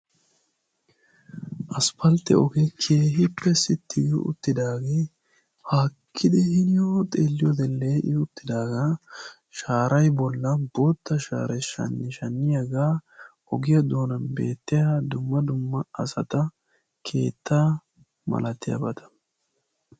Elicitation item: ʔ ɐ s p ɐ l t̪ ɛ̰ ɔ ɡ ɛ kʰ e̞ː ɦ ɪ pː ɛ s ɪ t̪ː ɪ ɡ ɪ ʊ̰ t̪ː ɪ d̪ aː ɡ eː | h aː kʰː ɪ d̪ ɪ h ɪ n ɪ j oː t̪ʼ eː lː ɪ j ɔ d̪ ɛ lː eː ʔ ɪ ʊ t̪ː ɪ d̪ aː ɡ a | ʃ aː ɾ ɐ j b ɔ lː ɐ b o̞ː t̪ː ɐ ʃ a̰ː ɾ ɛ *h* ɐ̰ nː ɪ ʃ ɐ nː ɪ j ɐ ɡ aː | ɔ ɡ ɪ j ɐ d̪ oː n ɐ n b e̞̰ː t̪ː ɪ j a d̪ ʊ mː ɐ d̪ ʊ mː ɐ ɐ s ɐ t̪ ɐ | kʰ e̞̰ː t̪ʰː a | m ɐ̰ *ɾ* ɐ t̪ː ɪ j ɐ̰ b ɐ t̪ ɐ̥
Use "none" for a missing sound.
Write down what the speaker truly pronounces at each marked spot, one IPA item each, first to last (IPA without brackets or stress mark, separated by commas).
ʃ, l